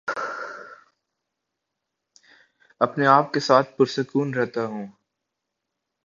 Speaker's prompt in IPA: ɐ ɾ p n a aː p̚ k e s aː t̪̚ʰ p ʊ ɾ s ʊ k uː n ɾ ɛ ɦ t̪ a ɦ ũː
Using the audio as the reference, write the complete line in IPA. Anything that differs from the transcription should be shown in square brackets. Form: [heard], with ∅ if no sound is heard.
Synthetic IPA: ɐ [∅] p n [e] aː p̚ k e s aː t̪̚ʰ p ʊ ɾ s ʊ k uː n ɾ ɛ ɦ t̪ a ɦ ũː